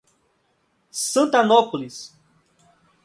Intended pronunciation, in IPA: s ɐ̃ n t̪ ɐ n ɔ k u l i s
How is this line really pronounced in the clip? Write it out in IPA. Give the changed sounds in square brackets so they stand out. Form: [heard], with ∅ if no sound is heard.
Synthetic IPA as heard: s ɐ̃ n t̪ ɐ n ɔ [p] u l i s